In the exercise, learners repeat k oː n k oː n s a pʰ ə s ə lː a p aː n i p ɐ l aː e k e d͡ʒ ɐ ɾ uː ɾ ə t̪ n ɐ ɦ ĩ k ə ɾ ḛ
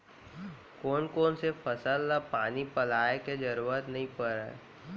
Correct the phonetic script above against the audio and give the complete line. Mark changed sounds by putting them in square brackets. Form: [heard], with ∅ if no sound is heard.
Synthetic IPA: k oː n k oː n s [e] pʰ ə s ə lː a p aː n i p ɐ l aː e k e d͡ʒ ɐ ɾ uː ɾ ə t̪ n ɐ ɦ ĩ [p] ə ɾ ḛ